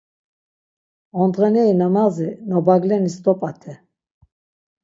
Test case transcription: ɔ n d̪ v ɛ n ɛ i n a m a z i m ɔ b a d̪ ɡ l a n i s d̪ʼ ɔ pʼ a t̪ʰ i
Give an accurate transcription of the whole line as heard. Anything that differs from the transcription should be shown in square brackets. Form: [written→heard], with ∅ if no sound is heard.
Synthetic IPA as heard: ɔ n d̪ [v→ʁ] ɛ n ɛ i n a m a z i [m→n] ɔ b a [d̪→∅] ɡ l [a→ɛ] n i s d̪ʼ ɔ pʼ a t̪ʰ [i→ɛ]